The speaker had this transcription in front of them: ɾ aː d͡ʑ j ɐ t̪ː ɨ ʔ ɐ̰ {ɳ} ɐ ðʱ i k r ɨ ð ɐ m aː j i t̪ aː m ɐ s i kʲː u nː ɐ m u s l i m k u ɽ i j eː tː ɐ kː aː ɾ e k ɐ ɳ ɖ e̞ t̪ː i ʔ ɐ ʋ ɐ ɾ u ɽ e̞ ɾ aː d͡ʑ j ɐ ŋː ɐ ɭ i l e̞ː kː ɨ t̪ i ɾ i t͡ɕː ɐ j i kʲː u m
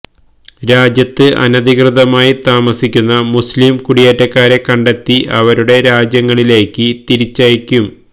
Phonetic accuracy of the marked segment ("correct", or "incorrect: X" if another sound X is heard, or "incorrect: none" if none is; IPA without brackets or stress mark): incorrect: n